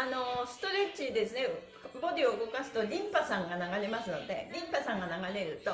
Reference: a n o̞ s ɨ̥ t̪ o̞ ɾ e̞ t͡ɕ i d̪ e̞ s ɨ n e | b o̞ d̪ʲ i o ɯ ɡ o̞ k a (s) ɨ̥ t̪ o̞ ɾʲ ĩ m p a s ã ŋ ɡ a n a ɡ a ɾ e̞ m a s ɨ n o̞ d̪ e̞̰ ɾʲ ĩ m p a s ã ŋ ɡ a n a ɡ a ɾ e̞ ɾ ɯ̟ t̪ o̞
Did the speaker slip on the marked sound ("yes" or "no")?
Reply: no